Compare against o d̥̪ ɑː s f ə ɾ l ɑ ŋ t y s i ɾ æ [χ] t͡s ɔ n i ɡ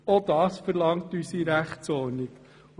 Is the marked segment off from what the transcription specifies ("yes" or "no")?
no